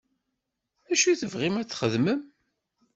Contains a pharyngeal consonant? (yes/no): no